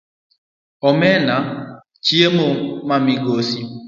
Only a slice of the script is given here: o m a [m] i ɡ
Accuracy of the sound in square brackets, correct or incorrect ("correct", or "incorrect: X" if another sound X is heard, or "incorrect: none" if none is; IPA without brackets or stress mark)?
correct